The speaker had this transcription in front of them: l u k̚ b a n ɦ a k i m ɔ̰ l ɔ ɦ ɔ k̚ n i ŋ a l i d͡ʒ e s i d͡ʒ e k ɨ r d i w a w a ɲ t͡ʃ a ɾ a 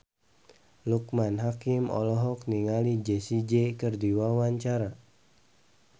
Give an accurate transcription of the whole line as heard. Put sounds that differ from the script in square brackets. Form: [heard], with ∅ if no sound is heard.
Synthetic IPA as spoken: l u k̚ [m] a n ɦ a k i m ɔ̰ l ɔ ɦ ɔ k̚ n i ŋ a l i d͡ʒ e s i d͡ʒ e k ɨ r d i w a w a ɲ t͡ʃ a ɾ a